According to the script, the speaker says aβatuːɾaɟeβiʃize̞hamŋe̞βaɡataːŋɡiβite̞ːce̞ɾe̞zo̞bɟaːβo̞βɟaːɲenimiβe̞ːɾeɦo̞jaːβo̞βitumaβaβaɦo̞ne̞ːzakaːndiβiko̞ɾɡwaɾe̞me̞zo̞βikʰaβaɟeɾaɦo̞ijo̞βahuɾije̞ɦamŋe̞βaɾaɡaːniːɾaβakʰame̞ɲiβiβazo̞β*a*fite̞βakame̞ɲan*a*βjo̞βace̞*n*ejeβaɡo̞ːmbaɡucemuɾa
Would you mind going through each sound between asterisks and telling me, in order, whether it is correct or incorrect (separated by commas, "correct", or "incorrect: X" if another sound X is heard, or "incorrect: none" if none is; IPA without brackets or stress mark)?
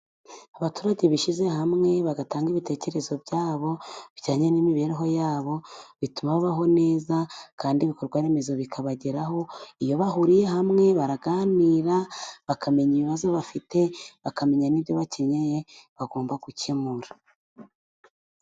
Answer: correct, incorrect: i, incorrect: ɲ